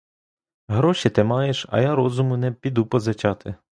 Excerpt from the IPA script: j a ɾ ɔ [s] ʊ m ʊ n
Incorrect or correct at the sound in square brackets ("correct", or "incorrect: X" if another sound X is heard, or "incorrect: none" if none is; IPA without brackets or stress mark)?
incorrect: z